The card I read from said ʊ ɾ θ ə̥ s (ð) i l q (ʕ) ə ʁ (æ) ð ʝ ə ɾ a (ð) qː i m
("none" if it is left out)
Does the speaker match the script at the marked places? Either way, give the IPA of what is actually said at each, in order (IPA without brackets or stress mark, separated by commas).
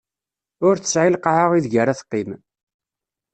ʕ, ʕ, i, θ